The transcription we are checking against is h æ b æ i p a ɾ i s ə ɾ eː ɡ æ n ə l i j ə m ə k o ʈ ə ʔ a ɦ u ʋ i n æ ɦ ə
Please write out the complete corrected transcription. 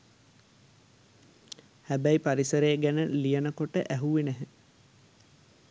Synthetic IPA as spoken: h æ b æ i p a ɾ i s ə ɾ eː ɡ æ n ə l i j ə n ə k o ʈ ə ʔ æ ɦ u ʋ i n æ ɦ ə

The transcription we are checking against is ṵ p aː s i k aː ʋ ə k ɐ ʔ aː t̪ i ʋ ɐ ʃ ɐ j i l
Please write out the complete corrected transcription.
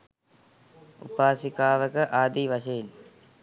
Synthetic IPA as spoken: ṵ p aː s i k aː ʋ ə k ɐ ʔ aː d̪ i ʋ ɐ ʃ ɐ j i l

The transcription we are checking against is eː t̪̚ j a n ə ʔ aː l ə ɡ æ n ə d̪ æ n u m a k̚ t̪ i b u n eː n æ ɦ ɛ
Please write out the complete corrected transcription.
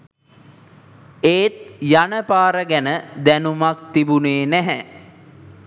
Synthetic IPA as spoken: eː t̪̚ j a n ə p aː ɾ ə ɡ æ n ə d̪ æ n u m a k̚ t̪ i b u n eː n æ ɦ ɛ

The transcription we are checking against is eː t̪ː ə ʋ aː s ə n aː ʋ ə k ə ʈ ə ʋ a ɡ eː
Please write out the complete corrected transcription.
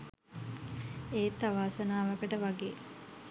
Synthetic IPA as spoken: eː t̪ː a ʋ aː s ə n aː ʋ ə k ə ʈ ə ʋ a ɡ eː

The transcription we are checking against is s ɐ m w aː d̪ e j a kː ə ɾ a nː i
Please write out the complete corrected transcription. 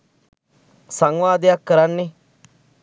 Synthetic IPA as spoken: s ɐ ŋ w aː d̪ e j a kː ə ɾ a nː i

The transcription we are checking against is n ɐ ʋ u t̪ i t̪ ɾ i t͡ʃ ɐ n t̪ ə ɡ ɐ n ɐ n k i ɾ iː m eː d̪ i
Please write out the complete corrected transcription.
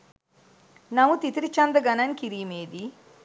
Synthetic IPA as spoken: n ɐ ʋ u t̪ i t̪ ɾ i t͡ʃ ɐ n d̪ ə ɡ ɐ n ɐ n k i ɾ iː m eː d̪ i

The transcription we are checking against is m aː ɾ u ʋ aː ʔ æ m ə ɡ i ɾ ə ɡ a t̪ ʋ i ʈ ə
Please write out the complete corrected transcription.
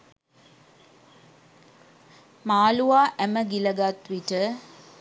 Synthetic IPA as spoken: m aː l u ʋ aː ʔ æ m ə ɡ i l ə ɡ a t̪ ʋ i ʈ ə

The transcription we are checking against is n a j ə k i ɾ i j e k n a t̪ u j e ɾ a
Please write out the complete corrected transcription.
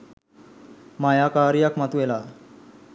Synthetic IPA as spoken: m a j a k a ɾ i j a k m a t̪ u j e l a

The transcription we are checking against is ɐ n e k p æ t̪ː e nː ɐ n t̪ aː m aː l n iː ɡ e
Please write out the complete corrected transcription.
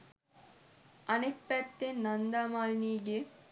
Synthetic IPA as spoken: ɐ n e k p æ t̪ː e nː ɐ n d̪ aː m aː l n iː ɡ e

